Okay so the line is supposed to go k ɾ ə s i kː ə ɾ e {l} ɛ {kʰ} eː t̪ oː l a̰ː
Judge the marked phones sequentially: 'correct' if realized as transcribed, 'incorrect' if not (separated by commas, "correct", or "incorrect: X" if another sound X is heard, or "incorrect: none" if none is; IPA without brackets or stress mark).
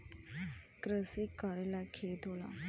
correct, correct